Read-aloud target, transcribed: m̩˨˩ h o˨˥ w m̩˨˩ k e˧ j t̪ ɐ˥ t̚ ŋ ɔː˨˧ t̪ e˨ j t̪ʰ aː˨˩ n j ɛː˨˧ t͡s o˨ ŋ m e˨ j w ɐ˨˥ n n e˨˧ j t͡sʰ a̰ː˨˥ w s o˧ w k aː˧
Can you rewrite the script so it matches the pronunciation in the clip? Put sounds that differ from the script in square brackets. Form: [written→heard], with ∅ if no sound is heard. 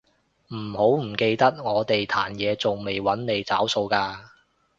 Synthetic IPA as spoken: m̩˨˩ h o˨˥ w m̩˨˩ k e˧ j t̪ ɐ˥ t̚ ŋ ɔː˨˧ t̪ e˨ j t̪ʰ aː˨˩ n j ɛː˨˧ t͡s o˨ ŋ m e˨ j w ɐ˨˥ n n e˨˧ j [t͡sʰ→t͡s] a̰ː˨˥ w s o˧ w k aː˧